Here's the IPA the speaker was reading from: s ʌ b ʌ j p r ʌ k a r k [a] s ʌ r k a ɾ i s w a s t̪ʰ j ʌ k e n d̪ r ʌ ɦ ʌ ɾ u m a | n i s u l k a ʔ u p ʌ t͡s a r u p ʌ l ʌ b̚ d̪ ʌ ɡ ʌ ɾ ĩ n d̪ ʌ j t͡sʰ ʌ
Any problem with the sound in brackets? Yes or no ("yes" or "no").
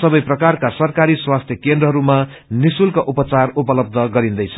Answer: no